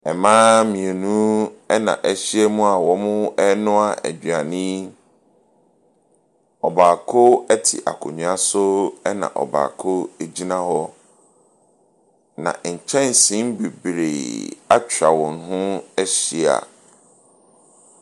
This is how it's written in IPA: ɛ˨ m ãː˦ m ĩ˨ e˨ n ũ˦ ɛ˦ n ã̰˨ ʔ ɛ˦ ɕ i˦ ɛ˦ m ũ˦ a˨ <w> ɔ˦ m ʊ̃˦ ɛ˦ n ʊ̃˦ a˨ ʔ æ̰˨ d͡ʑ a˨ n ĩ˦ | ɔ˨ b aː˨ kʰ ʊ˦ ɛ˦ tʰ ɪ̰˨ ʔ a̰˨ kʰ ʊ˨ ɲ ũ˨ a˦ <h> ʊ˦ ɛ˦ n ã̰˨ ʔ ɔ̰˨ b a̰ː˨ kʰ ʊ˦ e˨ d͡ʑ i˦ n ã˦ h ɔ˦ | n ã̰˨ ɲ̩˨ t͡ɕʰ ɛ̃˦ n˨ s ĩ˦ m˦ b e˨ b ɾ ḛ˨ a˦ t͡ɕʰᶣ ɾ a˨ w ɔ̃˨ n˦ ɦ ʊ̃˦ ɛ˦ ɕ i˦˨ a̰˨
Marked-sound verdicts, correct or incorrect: correct, incorrect: s

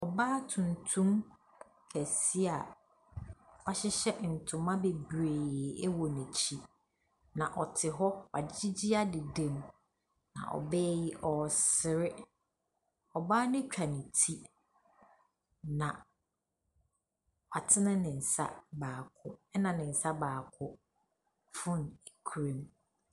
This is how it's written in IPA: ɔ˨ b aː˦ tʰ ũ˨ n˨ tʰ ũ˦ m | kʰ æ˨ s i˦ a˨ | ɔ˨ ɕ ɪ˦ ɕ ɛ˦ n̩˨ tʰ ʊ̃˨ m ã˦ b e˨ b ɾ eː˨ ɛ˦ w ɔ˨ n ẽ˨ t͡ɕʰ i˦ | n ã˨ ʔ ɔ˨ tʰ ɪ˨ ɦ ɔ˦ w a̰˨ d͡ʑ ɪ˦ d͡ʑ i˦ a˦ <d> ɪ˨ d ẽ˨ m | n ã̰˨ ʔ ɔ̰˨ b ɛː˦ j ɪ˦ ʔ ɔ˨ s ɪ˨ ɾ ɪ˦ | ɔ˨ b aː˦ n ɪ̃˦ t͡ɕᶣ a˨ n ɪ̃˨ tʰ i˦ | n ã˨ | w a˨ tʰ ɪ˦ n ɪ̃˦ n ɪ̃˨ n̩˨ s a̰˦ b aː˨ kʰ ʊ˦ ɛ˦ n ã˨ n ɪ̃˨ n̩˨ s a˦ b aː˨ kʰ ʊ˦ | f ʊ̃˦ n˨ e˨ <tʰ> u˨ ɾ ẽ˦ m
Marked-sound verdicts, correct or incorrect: correct, incorrect: kʰ

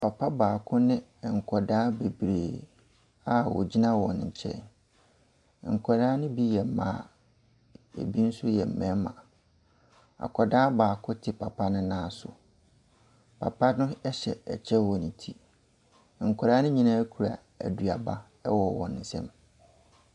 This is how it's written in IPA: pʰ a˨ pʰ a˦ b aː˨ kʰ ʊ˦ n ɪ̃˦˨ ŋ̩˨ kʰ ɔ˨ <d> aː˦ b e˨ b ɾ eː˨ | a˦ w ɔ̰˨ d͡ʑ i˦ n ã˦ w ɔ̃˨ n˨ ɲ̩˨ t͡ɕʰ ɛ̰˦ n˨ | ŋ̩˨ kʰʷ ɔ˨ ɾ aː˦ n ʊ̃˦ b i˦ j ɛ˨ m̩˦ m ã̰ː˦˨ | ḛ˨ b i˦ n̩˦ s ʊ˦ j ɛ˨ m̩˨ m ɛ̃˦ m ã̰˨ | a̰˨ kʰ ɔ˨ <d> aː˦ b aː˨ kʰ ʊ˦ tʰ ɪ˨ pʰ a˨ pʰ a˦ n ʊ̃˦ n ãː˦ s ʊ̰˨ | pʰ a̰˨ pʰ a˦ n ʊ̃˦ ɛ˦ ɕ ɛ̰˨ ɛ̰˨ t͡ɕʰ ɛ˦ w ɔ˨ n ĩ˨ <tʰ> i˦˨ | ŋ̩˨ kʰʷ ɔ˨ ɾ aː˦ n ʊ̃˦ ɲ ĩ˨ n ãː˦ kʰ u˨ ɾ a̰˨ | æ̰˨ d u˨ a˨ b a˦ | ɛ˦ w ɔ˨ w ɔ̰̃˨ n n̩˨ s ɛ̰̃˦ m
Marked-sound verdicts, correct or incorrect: correct, correct, correct

